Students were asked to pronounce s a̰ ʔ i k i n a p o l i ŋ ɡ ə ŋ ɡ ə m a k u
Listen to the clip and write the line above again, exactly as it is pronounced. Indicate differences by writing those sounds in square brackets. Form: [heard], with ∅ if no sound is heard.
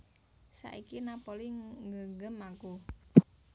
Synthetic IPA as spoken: s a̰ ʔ i k i n a p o l i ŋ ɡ ə ŋ ɡ ə m a k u